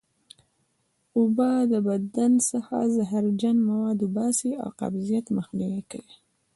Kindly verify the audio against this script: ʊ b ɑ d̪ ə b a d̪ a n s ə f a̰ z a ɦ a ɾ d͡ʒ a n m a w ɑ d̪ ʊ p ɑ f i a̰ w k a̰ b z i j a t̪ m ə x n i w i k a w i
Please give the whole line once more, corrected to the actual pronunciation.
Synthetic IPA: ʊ b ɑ d̪ ə b a d̪ a n s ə x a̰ z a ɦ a ɾ d͡ʒ a n m a w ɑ d̪ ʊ b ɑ s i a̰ w q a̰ b z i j a t̪ m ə x n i w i k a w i